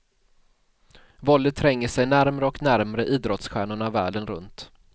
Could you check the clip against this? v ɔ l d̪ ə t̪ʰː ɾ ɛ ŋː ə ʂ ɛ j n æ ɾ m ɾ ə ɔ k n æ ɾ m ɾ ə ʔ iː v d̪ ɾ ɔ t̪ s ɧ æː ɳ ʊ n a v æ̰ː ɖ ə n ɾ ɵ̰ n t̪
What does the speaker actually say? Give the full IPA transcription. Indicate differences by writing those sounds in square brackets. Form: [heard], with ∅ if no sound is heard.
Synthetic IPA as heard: v ɔ l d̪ ə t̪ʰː ɾ ɛ ŋː ə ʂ ɛ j n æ ɾ m ɾ ə ɔ k n æ ɾ m ɾ ə ʔ iː [∅] d̪ ɾ ɔ t̪ s ɧ æː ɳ ʊ [ɳ] a v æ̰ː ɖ ə n ɾ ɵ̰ n t̪